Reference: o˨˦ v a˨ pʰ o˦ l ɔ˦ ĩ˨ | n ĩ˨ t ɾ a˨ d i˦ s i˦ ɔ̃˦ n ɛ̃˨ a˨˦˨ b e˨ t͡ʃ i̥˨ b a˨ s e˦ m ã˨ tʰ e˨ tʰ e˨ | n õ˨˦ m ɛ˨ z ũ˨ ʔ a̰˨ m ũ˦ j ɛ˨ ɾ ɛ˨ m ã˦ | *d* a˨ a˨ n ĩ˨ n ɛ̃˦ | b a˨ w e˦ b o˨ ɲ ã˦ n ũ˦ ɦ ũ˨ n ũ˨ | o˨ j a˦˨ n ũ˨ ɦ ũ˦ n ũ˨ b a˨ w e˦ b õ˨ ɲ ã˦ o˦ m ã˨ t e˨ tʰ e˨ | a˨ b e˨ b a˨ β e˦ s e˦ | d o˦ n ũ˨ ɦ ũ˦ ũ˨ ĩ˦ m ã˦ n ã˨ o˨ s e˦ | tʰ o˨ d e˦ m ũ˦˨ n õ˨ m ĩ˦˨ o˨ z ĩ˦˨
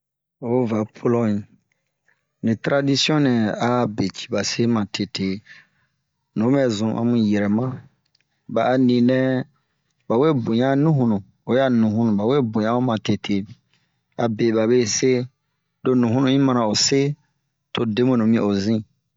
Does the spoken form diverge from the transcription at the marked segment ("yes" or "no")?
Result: yes